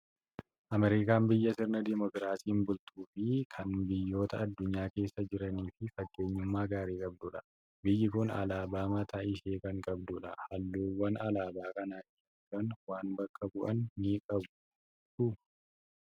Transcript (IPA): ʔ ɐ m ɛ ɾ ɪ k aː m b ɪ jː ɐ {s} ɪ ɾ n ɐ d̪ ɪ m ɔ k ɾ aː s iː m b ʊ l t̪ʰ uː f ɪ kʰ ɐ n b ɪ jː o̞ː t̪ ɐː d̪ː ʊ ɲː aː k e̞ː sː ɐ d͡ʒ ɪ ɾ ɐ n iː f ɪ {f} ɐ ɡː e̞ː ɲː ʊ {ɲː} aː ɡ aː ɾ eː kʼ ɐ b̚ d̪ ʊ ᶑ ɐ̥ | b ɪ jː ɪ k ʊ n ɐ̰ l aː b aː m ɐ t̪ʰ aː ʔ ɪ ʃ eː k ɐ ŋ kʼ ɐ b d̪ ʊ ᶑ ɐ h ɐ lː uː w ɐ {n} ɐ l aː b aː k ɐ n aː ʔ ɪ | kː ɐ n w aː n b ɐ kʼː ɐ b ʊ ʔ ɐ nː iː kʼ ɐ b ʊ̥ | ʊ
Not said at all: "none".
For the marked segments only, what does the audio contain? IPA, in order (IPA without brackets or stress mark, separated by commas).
s, f, mː, n